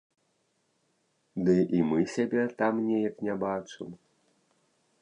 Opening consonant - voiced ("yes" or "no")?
yes